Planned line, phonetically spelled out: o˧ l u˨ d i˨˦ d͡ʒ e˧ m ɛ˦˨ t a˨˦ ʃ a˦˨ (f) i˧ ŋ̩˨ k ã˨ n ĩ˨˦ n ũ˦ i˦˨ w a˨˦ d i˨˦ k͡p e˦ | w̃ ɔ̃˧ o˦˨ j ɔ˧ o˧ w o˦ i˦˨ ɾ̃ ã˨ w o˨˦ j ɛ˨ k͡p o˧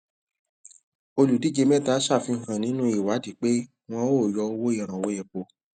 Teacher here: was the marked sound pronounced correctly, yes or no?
yes